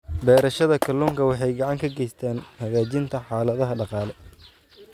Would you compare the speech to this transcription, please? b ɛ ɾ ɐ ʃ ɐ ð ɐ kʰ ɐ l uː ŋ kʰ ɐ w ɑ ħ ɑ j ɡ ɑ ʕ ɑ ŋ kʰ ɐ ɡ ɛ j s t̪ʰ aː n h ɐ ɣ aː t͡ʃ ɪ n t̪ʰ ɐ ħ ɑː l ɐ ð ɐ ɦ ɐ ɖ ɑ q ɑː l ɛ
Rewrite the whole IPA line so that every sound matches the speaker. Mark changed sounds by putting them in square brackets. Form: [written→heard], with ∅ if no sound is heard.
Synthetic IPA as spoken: b [ɛ→ɛː] ɾ ɐ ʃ ɐ ð ɐ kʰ ɐ l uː ŋ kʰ ɐ w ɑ ħ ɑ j ɡ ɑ ʕ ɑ ŋ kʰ ɐ ɡ ɛ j s t̪ʰ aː n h ɐ ɣ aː t͡ʃ ɪ n t̪ʰ ɐ ħ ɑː l ɐ ð ɐ ɦ ɐ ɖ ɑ q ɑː l ɛ